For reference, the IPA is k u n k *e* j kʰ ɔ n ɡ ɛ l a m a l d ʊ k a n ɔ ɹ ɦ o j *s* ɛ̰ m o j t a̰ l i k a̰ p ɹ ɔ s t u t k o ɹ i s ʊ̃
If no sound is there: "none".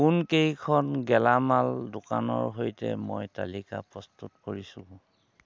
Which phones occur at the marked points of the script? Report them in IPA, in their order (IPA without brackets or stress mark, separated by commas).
e, t